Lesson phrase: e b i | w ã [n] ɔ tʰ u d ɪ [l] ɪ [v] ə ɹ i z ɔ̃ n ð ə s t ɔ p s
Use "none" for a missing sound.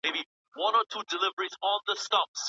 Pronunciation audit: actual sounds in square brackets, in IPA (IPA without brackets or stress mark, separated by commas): n, l, v